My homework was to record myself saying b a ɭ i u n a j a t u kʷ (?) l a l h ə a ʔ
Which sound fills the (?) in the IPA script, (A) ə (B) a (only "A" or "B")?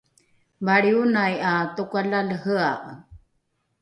B